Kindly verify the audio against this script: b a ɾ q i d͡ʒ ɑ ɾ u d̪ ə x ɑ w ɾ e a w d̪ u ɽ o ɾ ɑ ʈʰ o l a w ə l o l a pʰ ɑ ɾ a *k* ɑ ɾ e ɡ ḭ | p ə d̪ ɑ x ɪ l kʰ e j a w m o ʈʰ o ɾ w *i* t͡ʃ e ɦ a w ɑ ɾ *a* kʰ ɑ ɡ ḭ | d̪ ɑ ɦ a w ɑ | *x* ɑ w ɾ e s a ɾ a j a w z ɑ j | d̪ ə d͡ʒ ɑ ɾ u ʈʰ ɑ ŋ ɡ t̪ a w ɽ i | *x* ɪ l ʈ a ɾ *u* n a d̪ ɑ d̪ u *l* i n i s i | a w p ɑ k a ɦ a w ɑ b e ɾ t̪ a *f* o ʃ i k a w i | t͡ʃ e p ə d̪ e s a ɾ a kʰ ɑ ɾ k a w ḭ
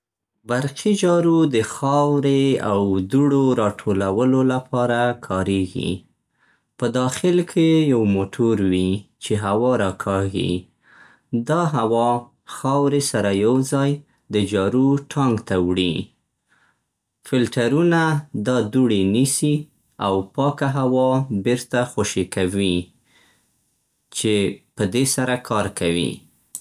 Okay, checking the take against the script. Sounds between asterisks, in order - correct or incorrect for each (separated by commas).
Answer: incorrect, correct, incorrect, correct, incorrect, correct, incorrect, incorrect